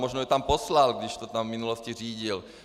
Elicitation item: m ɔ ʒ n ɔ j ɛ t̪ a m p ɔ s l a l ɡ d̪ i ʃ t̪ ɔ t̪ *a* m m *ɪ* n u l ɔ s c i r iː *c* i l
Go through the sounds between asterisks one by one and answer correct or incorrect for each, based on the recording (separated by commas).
correct, incorrect, incorrect